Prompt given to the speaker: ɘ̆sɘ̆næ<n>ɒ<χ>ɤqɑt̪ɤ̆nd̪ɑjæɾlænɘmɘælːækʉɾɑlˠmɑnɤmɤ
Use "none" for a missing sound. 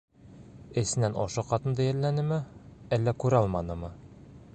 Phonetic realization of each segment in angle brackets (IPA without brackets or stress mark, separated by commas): n, ʃ